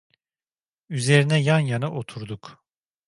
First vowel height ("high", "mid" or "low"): high